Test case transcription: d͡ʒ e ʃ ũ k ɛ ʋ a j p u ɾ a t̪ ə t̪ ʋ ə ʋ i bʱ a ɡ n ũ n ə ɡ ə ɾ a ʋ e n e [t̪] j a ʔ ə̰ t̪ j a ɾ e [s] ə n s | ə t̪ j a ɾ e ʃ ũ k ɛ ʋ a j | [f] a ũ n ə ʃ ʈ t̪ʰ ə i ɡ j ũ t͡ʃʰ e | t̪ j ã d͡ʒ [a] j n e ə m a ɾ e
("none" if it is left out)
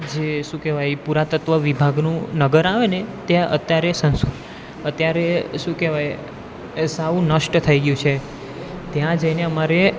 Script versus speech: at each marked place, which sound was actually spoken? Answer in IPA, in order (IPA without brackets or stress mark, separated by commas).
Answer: t̪, s, s, ə